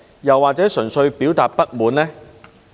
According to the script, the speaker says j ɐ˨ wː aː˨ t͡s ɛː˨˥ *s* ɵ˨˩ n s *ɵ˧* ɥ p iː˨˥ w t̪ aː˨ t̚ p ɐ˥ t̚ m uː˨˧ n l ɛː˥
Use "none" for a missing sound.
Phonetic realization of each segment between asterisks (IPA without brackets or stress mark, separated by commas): s, ɵ˧